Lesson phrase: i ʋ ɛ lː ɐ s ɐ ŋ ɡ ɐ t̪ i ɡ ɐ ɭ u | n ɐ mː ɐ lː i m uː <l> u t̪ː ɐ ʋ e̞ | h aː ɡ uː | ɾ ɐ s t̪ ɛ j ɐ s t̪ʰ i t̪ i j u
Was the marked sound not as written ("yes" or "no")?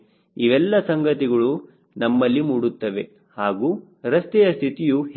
yes